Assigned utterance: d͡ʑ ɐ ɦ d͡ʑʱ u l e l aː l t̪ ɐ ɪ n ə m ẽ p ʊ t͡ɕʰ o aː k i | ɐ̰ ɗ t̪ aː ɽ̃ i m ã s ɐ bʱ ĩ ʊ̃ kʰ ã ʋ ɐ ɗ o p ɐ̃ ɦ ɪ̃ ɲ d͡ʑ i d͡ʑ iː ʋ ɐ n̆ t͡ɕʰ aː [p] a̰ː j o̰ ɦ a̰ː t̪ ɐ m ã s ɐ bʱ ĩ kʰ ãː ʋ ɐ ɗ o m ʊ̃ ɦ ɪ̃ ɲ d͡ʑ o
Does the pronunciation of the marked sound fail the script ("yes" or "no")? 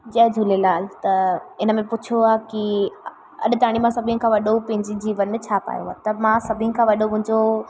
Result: no